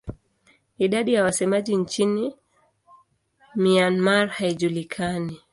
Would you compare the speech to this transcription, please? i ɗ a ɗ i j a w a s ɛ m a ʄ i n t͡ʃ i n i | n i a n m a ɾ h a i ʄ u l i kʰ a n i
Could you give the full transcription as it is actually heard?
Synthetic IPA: i ɗ a ɗ i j a w a s ɛ m a ʄ i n t͡ʃ i n i | m i a n m a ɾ h a i ʄ u l i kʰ a n i